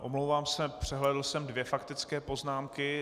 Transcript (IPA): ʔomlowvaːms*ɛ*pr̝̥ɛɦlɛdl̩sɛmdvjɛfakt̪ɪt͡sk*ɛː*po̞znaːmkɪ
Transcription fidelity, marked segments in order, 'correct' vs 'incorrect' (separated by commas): correct, correct